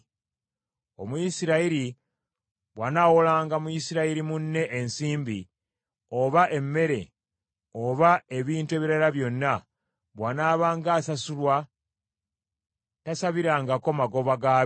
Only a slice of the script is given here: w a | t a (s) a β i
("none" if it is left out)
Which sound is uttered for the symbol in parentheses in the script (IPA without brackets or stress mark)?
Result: s